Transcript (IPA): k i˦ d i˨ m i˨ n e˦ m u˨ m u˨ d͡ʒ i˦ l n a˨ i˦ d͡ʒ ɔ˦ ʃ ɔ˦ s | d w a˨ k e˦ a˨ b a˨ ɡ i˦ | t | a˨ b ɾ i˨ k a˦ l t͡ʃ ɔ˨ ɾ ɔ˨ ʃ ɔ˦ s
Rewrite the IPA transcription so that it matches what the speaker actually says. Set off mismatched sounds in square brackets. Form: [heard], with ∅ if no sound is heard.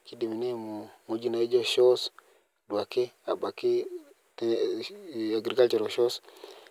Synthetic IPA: k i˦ d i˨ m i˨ n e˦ m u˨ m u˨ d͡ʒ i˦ [∅] n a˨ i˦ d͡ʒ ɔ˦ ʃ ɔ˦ s | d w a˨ k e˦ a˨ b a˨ [k] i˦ | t | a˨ [ɡ] ɾ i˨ k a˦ l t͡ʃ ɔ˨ ɾ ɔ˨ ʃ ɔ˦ s

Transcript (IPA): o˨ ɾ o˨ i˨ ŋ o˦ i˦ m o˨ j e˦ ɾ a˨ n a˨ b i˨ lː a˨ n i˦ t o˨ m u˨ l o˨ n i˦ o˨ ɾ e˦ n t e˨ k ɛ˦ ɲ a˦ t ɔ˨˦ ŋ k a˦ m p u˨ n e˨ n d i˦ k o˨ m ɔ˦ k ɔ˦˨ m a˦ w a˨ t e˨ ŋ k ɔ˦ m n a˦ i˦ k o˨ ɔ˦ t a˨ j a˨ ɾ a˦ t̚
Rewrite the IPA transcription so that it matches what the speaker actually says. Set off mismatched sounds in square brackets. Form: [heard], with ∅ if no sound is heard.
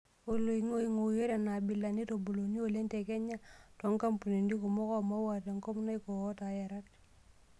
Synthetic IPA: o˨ [l] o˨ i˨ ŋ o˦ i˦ [ŋ] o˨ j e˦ ɾ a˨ n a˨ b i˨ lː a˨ n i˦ t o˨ [b] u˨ l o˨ n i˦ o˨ [l] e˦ n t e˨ k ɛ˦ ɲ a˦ t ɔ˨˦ ŋ k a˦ m p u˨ n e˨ n d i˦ k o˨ m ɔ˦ k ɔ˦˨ m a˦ w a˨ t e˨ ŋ k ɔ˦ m n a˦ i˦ k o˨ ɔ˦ t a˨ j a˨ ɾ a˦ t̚

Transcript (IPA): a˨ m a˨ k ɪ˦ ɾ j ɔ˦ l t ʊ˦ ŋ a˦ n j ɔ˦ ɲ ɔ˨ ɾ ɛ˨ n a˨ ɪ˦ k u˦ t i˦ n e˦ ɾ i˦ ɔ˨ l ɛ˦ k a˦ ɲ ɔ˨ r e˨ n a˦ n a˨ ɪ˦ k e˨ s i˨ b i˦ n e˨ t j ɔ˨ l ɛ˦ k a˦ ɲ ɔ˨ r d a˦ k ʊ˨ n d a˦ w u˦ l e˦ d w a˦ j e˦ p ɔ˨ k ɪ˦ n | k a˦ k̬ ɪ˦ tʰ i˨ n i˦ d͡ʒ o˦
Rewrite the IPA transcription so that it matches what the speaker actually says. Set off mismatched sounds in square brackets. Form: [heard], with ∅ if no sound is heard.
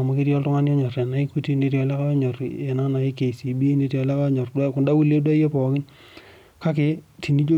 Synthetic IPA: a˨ m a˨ k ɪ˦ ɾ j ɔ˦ l t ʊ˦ ŋ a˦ n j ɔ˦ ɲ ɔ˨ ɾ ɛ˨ n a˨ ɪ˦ k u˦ t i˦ n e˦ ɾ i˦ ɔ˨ l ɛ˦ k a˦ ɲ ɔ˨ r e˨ n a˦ n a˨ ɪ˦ k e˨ s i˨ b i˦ n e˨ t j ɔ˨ l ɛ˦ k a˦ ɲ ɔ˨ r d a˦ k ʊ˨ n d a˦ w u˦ l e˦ d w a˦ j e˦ p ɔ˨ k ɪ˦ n | k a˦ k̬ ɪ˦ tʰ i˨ n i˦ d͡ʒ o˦

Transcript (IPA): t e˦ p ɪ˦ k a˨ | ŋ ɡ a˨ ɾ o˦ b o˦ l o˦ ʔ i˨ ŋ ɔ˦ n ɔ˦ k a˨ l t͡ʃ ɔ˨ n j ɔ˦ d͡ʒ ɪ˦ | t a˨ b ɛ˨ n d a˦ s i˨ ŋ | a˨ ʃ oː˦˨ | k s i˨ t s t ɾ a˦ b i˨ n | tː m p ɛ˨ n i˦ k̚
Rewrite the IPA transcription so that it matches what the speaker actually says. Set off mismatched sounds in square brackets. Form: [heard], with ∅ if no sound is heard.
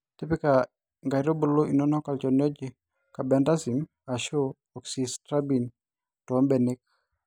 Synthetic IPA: t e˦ p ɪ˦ k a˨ | ŋ ɡ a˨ ɾ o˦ b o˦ l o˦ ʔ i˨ [n] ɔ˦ n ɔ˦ k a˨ l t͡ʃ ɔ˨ n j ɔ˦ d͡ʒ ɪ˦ | [k] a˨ b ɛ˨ n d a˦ s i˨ [m] | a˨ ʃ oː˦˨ | k s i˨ [∅] s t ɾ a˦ b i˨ n | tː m [b] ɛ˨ n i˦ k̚

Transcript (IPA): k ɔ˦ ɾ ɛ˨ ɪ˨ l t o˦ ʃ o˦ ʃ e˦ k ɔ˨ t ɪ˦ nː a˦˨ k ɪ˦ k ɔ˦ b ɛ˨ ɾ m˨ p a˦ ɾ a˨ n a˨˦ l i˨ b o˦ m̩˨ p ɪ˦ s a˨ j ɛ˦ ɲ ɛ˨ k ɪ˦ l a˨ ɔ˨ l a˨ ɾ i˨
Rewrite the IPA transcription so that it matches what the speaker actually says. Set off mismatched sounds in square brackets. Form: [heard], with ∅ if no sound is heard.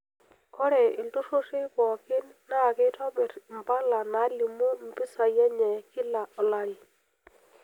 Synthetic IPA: k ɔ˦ ɾ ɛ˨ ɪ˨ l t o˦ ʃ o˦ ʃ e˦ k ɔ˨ [k] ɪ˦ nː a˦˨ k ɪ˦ [t] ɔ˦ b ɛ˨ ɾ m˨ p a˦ [l] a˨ n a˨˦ l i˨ [m] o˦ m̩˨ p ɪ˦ s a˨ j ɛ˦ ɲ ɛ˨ k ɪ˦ l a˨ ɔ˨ l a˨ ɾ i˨

